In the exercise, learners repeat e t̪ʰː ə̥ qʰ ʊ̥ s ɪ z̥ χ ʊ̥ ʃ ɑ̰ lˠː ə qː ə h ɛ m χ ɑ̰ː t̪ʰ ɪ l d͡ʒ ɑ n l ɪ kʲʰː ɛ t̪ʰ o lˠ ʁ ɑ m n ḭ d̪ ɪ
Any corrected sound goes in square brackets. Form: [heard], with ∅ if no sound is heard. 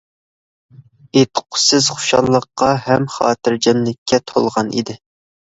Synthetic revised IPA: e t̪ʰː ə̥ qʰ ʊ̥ s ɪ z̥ χ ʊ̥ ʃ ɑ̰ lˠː ə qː [ɑ] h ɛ m χ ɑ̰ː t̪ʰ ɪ [ɾ] d͡ʒ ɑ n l ɪ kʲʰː ɛ t̪ʰ o lˠ ʁ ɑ [∅] n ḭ d̪ ɪ